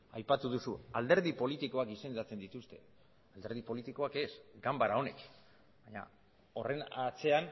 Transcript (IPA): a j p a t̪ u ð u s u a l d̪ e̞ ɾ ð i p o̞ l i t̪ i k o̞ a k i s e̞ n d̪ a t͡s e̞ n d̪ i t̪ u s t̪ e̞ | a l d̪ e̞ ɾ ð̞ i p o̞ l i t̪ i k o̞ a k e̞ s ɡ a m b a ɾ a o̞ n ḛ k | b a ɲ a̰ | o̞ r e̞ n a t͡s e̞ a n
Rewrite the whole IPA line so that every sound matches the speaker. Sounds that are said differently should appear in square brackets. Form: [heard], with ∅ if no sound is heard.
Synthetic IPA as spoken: a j p a t̪ u ð u s u a l d̪ e̞ ɾ ð i p o̞ l i t̪ i k o̞ a k i s e̞ n d̪ a t͡s e̞ n d̪ i t̪ u s t̪ e̞ | a l d̪ e̞ ɾ ð̞ i p o̞ l i t̪ i k o̞ a k e̞ s ɡ a m b a ɾ a o̞ n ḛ k | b a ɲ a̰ | o̞ r e̞ n a t͡s e̞ a n

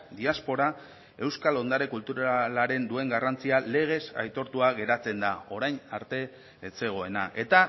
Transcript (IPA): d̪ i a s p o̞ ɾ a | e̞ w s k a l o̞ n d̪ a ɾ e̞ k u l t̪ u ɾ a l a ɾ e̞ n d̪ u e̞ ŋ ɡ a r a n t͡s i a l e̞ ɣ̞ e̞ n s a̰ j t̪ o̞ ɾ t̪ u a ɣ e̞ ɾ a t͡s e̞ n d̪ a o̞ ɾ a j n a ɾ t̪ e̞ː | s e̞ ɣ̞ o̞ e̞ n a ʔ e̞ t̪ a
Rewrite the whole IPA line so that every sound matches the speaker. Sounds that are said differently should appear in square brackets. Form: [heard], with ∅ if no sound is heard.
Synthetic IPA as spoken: d̪ i a s p o̞ ɾ a | e̞ w s k a l o̞ n d̪ a ɾ e̞ k u l t̪ u ɾ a l a ɾ e̞ n d̪ u e̞ ŋ ɡ a r a n t͡s i a l e̞ ɣ̞ e̞ [∅] s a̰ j t̪ o̞ ɾ t̪ u a ɣ e̞ ɾ a t͡s e̞ n d̪ a o̞ ɾ a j n a ɾ t̪ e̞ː | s e̞ ɣ̞ o̞ e̞ n a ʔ e̞ t̪ a

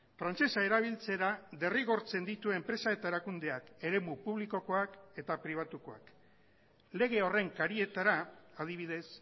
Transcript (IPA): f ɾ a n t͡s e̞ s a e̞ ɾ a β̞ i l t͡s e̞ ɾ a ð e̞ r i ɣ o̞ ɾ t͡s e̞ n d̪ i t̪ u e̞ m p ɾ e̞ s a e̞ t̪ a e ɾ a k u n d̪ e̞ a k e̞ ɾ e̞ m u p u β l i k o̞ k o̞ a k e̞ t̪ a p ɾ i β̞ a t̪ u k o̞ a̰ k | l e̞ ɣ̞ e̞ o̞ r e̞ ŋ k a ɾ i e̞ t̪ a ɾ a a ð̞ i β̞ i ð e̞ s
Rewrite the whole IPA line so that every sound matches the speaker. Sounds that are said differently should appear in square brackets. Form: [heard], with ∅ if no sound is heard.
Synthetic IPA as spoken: f ɾ a n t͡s e̞ s a e̞ ɾ a β̞ i l t͡s e̞ ɾ a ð e̞ r i ɣ o̞ ɾ t͡s e̞ n d̪ i t̪ u e̞ m p ɾ e̞ s a e̞ t̪ a e ɾ a k u n d̪ e̞ a k e̞ ɾ e̞ m u p u β l i k o̞ k o̞ a k e̞ t̪ a p ɾ i β̞ a t̪ u k o̞ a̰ k | l e̞ ɣ̞ e̞ o̞ r e̞ ŋ k a ɾ i e̞ t̪ a ɾ a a ð̞ i β̞ i ð e̞ s

